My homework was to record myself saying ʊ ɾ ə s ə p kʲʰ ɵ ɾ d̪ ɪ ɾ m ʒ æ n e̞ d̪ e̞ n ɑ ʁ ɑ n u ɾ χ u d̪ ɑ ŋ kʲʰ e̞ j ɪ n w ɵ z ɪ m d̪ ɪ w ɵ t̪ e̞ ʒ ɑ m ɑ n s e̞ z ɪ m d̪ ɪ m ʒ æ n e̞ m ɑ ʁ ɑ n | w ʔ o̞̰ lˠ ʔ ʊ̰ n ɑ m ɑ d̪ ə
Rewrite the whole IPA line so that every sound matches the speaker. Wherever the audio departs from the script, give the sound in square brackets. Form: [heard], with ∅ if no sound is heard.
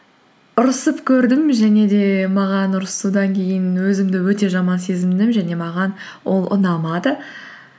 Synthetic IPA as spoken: ʊ ɾ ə s ə p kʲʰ ɵ ɾ d̪ ɪ [∅] m ʒ æ n e̞ d̪ e̞ [m] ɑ ʁ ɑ n [ʊ] ɾ [s] u d̪ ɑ ŋ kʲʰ e̞ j ɪ n w ɵ z ɪ m d̪ ɪ w ɵ t̪ e̞ ʒ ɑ m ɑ n s e̞ z ɪ m d̪ ɪ m ʒ æ n e̞ m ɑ ʁ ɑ n | w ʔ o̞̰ lˠ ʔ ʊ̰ n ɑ m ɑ d̪ ə